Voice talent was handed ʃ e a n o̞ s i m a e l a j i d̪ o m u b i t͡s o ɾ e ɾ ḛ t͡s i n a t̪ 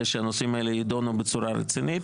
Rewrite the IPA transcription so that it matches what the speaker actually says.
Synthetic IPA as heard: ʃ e a n o̞ s i m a e l e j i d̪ o n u b e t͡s u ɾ a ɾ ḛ t͡s i n i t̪